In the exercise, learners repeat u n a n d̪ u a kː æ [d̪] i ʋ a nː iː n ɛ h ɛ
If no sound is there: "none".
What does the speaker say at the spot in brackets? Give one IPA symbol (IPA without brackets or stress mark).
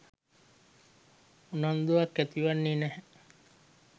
t̪